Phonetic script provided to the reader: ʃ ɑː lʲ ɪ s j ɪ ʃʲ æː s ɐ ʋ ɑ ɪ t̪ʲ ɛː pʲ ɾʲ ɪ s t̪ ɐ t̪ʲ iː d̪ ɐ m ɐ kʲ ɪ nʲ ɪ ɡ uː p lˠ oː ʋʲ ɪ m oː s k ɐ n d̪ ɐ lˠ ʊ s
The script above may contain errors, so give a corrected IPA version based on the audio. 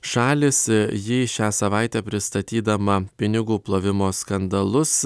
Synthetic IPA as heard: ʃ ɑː lʲ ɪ s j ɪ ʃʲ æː s ɐ ʋ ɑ ɪ t̪ʲ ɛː pʲ ɾʲ ɪ s t̪ ɐ t̪ʲ iː d̪ ɐ m ɐ pʲ ɪ nʲ ɪ ɡ uː p lˠ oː ʋʲ ɪ m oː s k ɐ n d̪ ɐ lˠ ʊ s